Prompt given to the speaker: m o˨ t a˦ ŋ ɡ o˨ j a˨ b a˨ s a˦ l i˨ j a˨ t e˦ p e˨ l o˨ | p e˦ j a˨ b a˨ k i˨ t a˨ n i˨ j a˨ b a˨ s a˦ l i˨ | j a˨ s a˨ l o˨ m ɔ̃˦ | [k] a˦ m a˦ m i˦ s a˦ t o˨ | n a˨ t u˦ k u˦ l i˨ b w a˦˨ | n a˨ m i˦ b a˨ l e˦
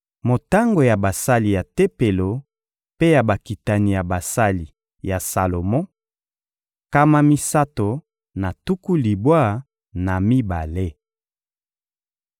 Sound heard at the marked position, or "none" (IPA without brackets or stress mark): k